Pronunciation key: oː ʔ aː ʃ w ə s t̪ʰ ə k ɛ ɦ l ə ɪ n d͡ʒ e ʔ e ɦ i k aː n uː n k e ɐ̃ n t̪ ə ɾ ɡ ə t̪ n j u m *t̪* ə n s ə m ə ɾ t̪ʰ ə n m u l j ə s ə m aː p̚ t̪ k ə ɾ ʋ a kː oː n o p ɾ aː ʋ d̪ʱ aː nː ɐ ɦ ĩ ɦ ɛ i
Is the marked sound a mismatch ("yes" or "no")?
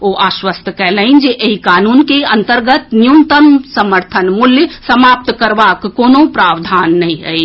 no